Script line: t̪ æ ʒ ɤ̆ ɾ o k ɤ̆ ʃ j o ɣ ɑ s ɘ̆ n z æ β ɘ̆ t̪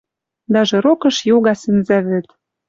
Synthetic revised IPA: d̪ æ ʒ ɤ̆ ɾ o k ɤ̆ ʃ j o ɣ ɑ s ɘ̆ n z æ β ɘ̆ t̪